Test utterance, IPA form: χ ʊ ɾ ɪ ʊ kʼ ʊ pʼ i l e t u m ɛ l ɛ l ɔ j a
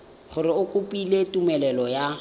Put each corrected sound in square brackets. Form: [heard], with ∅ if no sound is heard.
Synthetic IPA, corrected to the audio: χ ʊ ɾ ɪ ʊ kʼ ʊ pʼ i l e t u m ɛ l ɛ l ɔ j a